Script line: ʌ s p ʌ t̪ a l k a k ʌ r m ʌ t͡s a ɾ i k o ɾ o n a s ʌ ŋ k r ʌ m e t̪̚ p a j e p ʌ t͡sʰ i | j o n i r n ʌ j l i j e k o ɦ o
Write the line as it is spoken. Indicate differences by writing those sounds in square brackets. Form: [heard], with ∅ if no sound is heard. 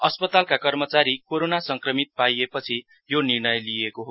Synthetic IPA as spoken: ʌ s p ʌ t̪ a l k a k ʌ r m ʌ t͡s a ɾ i k o ɾ o n a s ʌ ŋ k r ʌ m [i] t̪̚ p a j e p ʌ t͡sʰ i | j o n i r n ʌ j l i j e k o ɦ o